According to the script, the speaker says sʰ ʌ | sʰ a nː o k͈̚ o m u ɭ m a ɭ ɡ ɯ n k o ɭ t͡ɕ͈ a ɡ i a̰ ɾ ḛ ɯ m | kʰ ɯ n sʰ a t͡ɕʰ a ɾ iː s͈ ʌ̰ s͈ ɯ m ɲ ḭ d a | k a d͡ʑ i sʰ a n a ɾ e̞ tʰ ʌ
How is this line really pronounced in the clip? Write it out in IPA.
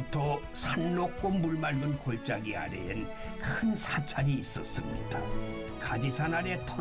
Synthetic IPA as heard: tʰ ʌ | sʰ a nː o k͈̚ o m u ɭ m a ɭ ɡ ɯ n k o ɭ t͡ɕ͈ a ɡ i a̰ ɾ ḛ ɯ n | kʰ ɯ n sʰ a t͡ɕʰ a ɾ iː s͈ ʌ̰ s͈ ɯ m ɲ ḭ d a | k a d͡ʑ i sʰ a n a ɾ e̞ tʰ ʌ